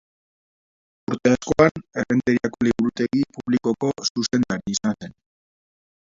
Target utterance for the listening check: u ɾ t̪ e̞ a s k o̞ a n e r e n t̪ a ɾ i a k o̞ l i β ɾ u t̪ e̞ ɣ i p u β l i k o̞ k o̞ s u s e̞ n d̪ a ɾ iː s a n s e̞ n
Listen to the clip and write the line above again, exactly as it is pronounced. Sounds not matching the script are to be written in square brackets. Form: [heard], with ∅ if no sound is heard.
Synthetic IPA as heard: u ɾ t̪ e̞ a s k o̞ a n e r e n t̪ [e] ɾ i a k o̞ l i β ɾ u t̪ e̞ ɣ i p u β l i k o̞ k o̞ s u s e̞ n d̪ a ɾ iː s a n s e̞ n

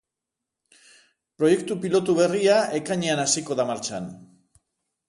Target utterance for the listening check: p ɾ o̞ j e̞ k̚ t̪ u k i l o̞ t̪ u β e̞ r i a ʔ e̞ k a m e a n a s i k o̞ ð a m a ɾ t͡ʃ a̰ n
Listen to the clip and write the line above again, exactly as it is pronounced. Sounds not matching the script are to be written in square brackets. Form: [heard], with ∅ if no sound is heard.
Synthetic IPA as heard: p ɾ o̞ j e̞ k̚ t̪ u [p] i l o̞ t̪ u β e̞ r i a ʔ e̞ k a [ɲ] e a n a s i k o̞ ð a m a ɾ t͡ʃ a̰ n

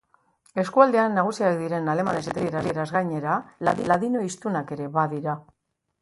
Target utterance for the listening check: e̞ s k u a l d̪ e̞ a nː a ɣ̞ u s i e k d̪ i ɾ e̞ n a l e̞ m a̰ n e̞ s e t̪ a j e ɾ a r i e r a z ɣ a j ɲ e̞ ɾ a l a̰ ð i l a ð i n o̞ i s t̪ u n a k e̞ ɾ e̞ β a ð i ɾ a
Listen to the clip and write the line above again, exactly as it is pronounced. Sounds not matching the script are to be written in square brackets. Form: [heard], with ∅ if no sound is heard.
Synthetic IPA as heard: e̞ s k u a l d̪ e̞ a nː a ɣ̞ u s i [a] k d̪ i ɾ e̞ n a l e̞ m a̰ n e̞ s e t̪ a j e ɾ a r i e [ɾ] a z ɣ a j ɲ e̞ ɾ a l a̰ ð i l a ð i n o̞ i s t̪ u n a k e̞ ɾ e̞ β a ð i ɾ a

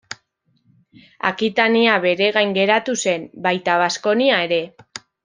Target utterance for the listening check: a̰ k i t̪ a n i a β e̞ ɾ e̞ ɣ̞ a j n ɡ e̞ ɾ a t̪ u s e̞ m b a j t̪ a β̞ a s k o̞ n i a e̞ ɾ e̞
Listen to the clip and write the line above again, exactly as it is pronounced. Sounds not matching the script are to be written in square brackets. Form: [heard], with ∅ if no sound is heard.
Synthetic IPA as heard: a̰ k i t̪ a n i a β e̞ ɾ e̞ ɣ̞ a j [ŋ] ɡ e̞ ɾ a t̪ u s e̞ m b a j t̪ a β̞ a s k o̞ n i a e̞ ɾ e̞

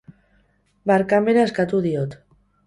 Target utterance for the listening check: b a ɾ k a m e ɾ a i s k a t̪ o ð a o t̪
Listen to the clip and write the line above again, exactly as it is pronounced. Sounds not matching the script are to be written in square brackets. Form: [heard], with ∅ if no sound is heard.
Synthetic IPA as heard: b a ɾ k a m e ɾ a [e] s k a t̪ [u] ð [i] o t̪

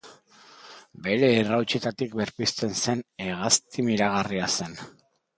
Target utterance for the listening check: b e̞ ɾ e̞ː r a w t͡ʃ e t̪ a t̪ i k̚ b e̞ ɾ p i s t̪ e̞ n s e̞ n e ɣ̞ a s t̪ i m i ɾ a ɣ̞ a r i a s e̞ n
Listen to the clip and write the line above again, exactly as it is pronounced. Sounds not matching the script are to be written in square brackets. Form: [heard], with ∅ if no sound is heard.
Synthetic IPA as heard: b e̞ ɾ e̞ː r a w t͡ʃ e t̪ a t̪ i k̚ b e̞ ɾ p i s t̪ e̞ n s e̞ n e ɣ̞ a s t̪ i m i ɾ a ɣ̞ a r i a s e̞ n

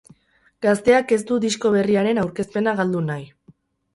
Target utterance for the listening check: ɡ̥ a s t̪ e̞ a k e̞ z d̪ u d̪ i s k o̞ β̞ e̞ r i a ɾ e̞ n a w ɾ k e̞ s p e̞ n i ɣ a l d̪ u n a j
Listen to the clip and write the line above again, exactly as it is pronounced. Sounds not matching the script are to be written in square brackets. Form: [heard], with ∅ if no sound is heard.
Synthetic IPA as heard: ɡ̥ a s t̪ e̞ a k e̞ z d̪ u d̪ i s k o̞ β̞ e̞ r i a ɾ e̞ n a w ɾ k e̞ s p e̞ n [a] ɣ a l d̪ u n a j

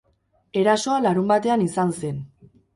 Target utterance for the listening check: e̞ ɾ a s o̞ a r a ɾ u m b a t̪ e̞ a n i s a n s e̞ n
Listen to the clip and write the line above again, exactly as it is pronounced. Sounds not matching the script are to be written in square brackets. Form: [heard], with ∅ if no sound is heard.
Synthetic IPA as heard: e̞ ɾ a s o̞ a [l] a ɾ u m b a t̪ e̞ a n i s a n s e̞ n

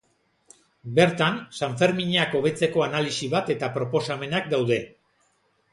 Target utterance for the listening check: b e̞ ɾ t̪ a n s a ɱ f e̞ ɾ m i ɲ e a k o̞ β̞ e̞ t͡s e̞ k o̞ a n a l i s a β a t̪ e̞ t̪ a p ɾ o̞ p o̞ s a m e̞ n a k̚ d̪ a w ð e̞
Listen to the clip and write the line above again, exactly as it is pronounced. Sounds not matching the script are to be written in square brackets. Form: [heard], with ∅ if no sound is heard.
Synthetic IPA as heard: b e̞ ɾ t̪ a n s a ɱ f e̞ ɾ m i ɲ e a k o̞ β̞ e̞ t͡s e̞ k o̞ a n a l i s [i] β a t̪ e̞ t̪ a p ɾ o̞ p o̞ s a m e̞ n a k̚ d̪ a w ð e̞

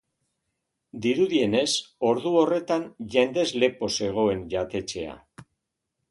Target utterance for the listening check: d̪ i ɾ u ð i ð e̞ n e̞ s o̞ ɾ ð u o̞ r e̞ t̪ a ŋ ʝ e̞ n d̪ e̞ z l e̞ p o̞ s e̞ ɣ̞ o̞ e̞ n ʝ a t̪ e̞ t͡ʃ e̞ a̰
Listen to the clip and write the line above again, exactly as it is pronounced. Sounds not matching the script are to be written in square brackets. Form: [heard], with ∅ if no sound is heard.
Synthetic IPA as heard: d̪ i ɾ u ð i [∅] e̞ n e̞ s o̞ ɾ ð u o̞ r e̞ t̪ a [n] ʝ e̞ n d̪ e̞ z l e̞ p o̞ s e̞ ɣ̞ o̞ e̞ n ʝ a t̪ e̞ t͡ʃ e̞ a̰

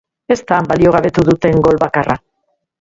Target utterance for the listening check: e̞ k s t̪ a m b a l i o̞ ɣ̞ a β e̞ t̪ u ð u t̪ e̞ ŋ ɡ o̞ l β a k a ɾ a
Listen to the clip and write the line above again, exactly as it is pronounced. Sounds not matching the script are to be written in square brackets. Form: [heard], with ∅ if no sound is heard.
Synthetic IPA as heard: e̞ [∅] s t̪ a m b a l i o̞ ɣ̞ a β e̞ t̪ u ð u t̪ e̞ ŋ ɡ o̞ l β a k a [r] a

